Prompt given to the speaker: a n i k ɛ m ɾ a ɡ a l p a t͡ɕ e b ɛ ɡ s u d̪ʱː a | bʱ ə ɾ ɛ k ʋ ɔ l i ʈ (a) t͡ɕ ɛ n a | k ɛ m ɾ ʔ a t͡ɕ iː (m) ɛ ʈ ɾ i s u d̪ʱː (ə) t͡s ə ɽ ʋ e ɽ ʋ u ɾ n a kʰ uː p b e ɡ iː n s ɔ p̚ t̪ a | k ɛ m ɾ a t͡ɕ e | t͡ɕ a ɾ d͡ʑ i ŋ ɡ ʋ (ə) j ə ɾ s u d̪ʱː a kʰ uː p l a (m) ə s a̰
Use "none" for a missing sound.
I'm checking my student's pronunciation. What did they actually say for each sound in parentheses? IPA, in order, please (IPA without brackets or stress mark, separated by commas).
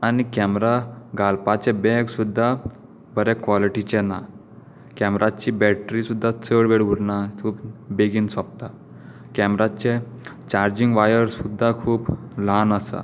i, b, a, a, n